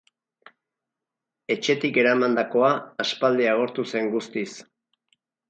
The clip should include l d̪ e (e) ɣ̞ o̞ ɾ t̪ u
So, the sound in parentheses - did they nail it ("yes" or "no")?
no